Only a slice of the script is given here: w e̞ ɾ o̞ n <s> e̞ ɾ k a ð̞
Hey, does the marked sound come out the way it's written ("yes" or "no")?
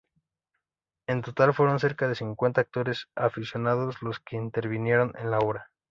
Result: yes